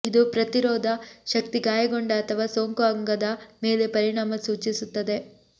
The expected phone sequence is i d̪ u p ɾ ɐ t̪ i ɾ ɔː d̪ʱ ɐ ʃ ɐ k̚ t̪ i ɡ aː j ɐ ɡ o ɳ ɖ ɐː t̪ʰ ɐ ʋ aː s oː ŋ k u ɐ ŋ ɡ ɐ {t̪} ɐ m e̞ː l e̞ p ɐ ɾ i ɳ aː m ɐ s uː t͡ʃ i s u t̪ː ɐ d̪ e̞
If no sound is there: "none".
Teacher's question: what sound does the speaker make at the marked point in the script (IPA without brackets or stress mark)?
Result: d̪